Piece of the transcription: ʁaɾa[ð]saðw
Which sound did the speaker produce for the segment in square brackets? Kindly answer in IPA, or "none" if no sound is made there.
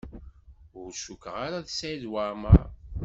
ð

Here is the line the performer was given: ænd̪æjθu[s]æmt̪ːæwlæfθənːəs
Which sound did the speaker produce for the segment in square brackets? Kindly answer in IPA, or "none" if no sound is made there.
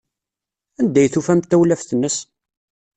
f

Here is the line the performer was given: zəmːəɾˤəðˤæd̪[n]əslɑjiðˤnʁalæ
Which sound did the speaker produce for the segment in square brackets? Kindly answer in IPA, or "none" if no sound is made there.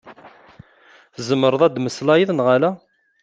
m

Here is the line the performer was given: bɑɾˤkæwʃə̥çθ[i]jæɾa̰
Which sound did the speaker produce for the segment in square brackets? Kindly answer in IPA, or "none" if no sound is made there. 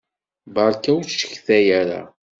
æ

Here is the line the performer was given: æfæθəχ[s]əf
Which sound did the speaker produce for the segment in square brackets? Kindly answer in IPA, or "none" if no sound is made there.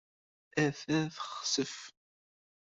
s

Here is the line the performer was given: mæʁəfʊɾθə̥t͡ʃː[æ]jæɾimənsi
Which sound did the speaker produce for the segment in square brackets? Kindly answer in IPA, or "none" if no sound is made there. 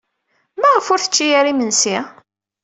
i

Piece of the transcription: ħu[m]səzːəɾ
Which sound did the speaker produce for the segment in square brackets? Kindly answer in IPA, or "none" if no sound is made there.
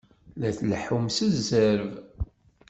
m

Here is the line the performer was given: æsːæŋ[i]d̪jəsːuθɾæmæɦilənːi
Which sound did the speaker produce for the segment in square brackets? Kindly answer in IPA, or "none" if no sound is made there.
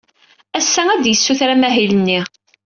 æ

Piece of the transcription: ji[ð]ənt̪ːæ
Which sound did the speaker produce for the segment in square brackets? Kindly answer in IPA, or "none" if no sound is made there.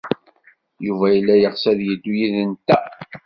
ð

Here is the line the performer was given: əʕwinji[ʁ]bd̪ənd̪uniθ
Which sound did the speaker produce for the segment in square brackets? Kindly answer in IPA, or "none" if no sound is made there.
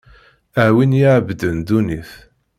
ʕ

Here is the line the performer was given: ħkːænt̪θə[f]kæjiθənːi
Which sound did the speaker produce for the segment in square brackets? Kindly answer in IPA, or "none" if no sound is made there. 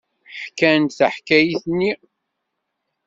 ħ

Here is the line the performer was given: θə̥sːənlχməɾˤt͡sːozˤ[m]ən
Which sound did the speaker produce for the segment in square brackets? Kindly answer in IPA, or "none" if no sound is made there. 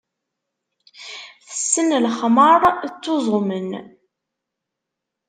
m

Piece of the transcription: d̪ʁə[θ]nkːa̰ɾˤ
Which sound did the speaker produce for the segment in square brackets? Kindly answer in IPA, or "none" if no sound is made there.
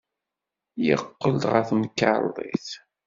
θ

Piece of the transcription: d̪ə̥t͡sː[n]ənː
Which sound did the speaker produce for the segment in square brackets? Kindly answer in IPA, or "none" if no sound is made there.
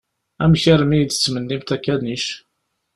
m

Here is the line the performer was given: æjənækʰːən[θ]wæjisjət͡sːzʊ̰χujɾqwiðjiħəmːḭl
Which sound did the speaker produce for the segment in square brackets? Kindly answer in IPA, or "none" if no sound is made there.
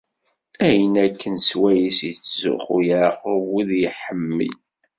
s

